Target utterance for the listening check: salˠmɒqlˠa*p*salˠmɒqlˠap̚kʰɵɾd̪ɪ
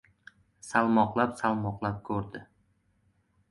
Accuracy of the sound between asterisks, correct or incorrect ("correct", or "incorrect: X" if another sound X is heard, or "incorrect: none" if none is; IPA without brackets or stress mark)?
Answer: correct